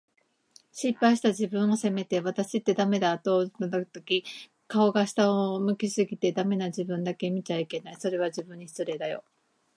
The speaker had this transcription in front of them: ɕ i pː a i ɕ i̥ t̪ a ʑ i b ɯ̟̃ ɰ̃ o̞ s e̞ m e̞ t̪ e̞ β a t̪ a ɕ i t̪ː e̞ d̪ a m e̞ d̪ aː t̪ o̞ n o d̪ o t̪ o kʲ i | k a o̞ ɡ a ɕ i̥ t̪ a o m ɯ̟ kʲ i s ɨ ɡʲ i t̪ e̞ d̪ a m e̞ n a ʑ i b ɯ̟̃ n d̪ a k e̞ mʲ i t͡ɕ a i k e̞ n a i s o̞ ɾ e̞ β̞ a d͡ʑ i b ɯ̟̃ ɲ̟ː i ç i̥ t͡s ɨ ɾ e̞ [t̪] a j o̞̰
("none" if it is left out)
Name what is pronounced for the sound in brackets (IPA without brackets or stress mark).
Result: d̪